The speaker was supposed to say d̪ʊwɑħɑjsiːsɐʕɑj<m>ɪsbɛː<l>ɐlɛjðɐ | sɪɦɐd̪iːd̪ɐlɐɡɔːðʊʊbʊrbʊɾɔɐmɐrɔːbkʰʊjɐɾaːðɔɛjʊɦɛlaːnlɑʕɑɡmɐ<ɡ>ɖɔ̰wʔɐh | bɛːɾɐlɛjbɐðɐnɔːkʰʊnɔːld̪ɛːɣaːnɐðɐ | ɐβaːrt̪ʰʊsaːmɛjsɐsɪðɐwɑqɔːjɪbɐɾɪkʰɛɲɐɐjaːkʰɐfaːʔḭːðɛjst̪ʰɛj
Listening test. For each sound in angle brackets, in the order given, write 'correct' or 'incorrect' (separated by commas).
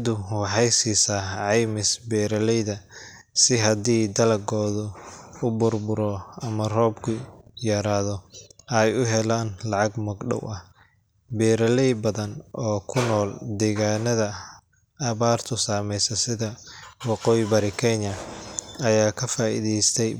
correct, incorrect, correct